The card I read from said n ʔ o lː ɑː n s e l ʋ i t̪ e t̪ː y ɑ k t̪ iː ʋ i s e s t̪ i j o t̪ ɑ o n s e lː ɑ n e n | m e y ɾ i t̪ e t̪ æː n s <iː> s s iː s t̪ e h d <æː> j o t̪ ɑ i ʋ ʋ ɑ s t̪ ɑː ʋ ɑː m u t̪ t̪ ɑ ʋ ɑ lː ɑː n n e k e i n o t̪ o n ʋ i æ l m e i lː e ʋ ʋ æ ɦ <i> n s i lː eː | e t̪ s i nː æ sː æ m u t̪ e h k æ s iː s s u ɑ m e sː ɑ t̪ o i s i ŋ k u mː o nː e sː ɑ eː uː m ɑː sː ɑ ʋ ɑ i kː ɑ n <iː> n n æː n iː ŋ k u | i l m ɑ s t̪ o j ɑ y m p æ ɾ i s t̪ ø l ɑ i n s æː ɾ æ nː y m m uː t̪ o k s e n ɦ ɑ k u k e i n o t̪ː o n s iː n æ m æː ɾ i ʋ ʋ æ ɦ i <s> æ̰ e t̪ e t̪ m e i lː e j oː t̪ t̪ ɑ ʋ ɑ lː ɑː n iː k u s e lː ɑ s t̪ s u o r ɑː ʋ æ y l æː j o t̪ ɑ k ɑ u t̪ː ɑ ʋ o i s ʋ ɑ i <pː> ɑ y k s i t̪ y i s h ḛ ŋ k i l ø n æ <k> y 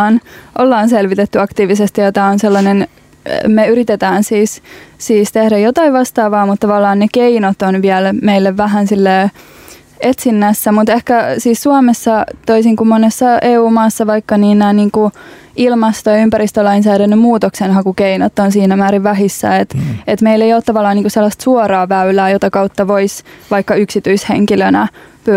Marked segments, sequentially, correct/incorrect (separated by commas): correct, incorrect, incorrect, correct, incorrect, incorrect, incorrect